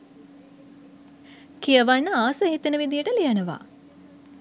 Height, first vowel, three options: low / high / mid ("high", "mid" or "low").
high